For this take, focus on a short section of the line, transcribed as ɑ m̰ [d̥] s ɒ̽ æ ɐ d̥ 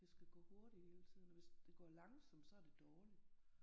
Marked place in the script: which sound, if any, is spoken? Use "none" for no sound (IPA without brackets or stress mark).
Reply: d̥